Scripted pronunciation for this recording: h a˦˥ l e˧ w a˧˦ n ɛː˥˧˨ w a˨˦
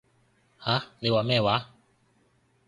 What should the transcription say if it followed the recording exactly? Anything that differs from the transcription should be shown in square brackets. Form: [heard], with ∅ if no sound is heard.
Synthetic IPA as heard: h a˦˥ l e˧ w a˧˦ [m] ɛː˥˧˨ w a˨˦